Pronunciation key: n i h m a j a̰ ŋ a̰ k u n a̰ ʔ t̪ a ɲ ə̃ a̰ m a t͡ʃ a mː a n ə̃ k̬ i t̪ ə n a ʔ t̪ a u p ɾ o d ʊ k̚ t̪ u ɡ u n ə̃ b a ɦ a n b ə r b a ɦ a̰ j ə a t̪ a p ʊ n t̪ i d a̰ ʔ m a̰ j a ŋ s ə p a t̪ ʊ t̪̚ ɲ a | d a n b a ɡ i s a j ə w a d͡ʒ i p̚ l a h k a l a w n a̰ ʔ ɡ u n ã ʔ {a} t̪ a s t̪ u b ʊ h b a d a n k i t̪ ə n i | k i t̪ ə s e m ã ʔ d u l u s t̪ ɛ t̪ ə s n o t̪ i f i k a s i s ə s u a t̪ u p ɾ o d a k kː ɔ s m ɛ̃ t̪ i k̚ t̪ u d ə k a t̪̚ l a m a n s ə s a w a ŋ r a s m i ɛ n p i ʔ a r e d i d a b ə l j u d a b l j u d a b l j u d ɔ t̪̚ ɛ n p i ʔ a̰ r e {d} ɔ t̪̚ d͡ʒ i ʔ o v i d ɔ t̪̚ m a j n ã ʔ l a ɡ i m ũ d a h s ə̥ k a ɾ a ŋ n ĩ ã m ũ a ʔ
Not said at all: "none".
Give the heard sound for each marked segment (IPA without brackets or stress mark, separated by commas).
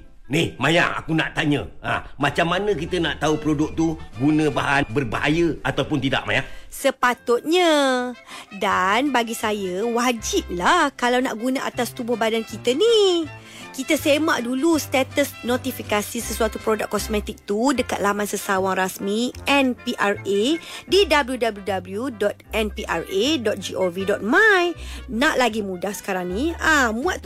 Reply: a, d